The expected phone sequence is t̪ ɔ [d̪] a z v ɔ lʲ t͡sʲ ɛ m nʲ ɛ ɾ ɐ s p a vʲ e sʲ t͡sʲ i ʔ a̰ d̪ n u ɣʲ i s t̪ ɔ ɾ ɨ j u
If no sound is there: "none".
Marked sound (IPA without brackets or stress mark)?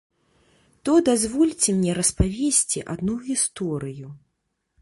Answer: d̪